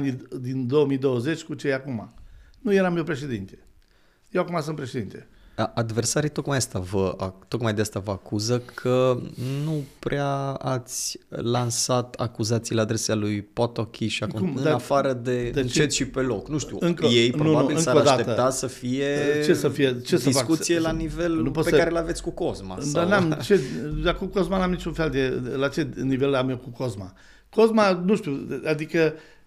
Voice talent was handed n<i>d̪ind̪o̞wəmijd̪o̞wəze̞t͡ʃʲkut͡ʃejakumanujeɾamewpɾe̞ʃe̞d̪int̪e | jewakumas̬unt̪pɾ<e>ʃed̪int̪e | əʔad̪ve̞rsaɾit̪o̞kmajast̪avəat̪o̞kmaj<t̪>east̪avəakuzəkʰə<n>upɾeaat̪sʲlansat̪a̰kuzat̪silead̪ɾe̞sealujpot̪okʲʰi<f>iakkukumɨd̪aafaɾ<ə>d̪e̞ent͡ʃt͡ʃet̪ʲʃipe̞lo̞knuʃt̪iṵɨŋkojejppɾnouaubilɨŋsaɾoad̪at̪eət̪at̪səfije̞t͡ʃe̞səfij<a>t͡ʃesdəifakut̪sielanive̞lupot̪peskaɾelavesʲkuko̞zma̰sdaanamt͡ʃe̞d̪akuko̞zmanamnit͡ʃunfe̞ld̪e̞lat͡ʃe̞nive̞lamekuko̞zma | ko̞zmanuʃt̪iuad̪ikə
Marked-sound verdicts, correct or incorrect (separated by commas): correct, correct, incorrect, correct, incorrect, correct, incorrect